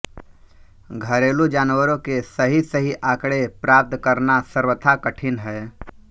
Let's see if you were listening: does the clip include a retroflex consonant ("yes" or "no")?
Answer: yes